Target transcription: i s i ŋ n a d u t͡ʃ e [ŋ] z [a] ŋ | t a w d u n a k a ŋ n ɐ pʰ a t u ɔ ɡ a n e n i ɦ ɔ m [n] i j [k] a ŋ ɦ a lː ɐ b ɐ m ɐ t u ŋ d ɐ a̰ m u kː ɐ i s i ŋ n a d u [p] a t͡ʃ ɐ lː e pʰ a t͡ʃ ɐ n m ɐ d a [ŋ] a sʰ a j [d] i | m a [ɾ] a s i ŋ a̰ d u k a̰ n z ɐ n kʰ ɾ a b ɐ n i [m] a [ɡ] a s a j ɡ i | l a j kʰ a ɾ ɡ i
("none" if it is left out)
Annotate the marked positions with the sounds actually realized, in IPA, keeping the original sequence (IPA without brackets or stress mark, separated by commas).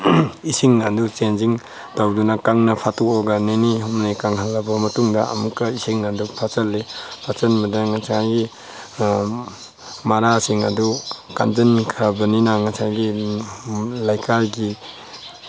n, i, n, k, pʰ, ŋ, ɡ, ɾ, n, ŋ